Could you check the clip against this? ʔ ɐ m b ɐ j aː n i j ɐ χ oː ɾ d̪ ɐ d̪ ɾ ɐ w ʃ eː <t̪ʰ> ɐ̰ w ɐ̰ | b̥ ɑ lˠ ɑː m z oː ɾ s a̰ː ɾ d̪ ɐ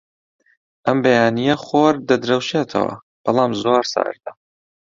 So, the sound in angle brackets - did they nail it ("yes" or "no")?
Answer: yes